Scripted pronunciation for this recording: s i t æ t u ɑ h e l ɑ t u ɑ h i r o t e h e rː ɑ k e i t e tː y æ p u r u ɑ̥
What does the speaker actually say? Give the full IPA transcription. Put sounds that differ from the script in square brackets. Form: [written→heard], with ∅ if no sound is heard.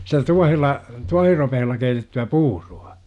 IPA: s i t æ t u ɑ h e [l→lː] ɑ t u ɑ h i r o [t→p] e h e [rː→lː] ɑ k e i t e tː y æ p [u→uː] r u ɑ̥